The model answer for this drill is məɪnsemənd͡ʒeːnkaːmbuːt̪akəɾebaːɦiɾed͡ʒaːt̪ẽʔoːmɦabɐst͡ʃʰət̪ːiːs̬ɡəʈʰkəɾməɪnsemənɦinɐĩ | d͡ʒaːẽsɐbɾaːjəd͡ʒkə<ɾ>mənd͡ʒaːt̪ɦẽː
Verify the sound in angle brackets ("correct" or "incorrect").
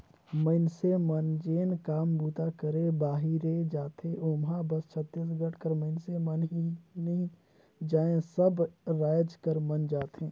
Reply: correct